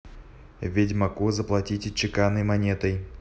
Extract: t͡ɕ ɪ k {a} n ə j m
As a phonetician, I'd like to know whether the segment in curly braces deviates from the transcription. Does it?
no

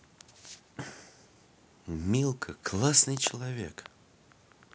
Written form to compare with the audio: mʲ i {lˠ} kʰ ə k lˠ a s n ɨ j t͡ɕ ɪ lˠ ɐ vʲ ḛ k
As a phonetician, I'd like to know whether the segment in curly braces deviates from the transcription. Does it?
no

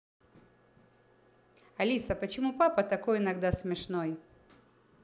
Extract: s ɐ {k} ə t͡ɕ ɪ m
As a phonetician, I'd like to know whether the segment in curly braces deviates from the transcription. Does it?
yes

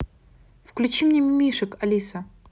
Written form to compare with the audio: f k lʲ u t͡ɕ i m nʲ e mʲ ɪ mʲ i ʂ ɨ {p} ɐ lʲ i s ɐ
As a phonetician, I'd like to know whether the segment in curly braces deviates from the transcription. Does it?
yes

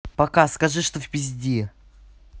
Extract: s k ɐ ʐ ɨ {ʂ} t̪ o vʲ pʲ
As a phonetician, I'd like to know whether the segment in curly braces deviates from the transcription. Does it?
no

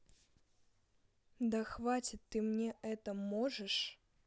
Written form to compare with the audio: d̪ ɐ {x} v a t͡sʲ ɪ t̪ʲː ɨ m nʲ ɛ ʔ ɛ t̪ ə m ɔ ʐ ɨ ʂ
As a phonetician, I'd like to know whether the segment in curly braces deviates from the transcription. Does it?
no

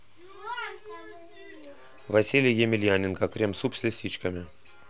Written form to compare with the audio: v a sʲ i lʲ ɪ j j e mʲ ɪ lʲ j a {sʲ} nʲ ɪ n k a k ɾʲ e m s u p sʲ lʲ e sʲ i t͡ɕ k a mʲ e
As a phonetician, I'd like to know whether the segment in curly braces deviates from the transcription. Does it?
yes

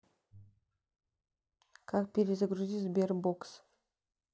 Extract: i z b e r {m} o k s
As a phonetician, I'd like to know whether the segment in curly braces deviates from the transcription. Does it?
yes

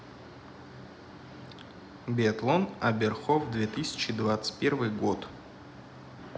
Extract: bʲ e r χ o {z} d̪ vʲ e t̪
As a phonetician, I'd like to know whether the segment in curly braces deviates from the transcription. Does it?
yes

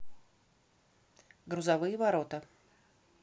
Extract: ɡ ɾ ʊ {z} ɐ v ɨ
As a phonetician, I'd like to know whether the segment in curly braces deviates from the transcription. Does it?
no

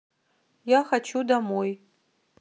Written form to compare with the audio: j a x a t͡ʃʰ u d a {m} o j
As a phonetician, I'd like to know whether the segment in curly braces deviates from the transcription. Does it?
no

